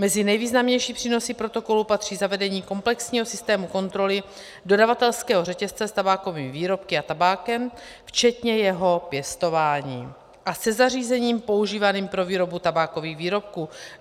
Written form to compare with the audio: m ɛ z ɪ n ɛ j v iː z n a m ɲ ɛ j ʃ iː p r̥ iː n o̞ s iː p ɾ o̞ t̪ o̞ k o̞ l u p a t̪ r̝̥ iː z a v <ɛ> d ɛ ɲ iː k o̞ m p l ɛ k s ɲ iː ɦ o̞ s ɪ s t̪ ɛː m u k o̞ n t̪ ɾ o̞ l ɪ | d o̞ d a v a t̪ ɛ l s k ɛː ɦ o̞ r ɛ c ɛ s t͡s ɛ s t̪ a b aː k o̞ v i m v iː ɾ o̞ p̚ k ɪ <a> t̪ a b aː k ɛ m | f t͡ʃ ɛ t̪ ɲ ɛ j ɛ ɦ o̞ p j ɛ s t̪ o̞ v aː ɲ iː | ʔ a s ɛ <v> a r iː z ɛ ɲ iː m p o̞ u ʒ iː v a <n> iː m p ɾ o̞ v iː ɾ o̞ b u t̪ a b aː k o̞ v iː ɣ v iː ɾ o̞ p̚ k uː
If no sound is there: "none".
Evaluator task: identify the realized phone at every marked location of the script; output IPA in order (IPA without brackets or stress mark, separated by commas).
ɛ, a, z, n